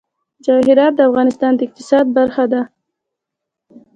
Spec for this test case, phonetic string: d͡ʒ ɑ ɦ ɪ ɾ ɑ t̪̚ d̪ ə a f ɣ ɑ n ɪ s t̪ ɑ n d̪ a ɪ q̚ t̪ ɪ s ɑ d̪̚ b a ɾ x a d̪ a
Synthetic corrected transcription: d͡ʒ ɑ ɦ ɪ ɾ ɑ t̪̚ d̪ ə a f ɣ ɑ n ɪ s t̪ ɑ n d̪ ə ɪ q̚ t̪ ɪ s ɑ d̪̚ b a ɾ x a d̪ a